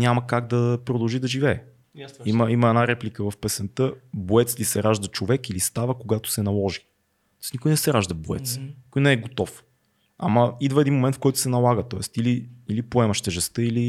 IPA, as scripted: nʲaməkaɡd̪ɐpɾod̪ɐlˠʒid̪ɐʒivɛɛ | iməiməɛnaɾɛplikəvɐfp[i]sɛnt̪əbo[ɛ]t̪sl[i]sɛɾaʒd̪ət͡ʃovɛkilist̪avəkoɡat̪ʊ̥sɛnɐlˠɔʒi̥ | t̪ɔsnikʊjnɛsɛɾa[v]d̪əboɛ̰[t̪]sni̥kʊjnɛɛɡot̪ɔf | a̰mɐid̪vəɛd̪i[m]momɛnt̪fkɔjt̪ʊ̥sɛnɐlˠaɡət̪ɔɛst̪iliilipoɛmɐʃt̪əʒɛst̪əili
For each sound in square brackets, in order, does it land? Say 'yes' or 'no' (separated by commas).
no, yes, yes, no, yes, no